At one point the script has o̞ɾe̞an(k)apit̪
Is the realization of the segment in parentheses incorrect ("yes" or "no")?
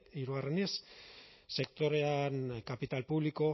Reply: no